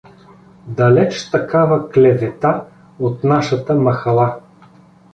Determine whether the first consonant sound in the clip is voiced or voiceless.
voiced